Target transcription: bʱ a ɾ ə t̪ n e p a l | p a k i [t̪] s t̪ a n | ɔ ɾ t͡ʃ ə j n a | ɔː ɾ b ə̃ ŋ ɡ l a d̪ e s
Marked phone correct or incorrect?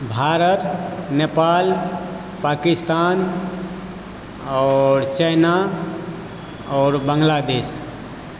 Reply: incorrect